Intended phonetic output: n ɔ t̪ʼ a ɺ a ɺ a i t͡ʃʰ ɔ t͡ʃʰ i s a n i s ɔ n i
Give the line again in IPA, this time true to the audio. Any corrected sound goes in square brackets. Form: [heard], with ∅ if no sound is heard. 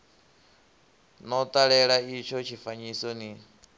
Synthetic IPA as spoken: n ɔ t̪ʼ a ɺ [ɛ] ɺ a i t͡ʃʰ ɔ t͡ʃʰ i [f] a [ɲ] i s ɔ n i

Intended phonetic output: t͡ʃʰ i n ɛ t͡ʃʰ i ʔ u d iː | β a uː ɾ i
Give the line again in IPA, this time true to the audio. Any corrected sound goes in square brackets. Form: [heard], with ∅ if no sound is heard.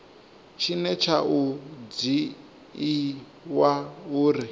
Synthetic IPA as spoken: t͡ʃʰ i n ɛ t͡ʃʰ [a] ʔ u [d͡z] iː | [w] a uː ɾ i

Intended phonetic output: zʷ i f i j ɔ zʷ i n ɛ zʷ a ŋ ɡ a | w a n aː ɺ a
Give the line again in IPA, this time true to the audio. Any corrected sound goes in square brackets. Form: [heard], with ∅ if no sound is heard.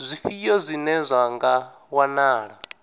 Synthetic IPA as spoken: zʷ i f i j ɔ zʷ i n ɛ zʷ a ŋ ɡ a | w a n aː ɺ a

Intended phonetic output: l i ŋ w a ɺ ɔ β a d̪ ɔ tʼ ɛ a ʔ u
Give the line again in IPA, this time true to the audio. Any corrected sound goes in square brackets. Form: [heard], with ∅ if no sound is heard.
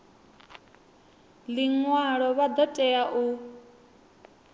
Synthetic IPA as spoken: l i ŋ w a ɺ ɔ β a d̪ ɔ tʼ ɛ a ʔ u

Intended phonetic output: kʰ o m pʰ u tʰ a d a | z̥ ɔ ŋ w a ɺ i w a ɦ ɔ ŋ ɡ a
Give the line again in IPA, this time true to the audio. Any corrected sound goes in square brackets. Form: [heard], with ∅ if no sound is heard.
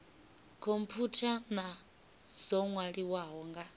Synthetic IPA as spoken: kʰ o m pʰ u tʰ a [n] a | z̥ ɔ ŋ w a ɺ i w a ɦ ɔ ŋ ɡ a

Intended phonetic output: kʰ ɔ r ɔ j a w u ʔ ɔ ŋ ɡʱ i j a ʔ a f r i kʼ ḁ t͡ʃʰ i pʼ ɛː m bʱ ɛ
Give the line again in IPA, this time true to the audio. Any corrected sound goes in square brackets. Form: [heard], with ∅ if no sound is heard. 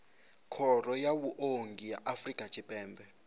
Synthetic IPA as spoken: kʰ ɔ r ɔ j a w u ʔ [o] ŋ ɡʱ i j a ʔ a f r i kʼ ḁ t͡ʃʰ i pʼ ɛː m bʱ ɛ

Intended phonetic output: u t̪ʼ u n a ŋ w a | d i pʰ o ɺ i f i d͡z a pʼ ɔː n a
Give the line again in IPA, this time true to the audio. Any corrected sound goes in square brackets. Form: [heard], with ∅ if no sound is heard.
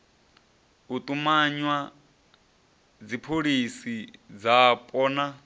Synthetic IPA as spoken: u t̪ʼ u [m] a [ɲ] w a | [d͡z] i pʰ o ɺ i [s] i d͡z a pʼ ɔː n a

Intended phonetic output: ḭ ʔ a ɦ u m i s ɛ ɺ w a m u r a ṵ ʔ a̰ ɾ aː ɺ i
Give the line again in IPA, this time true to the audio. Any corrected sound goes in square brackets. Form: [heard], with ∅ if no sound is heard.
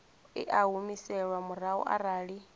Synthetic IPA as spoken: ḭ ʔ a ɦ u m i s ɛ ɺ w a m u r a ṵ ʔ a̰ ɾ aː ɺ i

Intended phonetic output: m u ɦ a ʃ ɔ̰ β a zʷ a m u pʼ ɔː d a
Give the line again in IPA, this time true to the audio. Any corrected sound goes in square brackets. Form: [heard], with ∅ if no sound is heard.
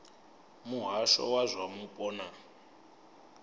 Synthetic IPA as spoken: m u ɦ a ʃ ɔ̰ [w] a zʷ a m u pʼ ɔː [n] a

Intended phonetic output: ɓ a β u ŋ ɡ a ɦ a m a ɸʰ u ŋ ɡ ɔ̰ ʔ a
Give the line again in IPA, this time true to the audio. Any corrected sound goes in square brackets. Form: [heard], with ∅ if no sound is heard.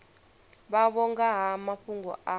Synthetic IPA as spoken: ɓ a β [ɔ] ŋ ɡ a ɦ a m a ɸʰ u ŋ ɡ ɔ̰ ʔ a

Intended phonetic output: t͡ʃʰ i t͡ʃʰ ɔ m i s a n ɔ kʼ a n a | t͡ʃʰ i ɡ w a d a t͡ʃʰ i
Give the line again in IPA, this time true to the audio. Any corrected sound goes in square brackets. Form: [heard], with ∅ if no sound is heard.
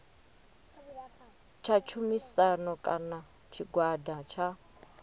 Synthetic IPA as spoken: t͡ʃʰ [a] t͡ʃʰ [u] m i s a n ɔ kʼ a n a | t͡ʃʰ i ɡ w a d a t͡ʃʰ [a]

